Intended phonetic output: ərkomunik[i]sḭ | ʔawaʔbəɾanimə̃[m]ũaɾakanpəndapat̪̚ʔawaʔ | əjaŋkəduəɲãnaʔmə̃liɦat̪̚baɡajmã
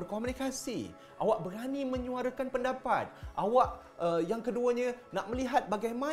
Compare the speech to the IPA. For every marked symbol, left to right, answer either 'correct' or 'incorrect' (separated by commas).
incorrect, incorrect